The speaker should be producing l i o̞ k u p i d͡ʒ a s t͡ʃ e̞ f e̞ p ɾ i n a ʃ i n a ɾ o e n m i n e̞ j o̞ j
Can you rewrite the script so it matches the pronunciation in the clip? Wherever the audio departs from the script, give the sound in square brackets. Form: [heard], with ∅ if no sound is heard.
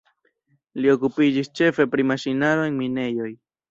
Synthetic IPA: l i o̞ k u p i d͡ʒ [i] s t͡ʃ e̞ f e̞ p ɾ i [m] a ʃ i n a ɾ o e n m i n e̞ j o̞ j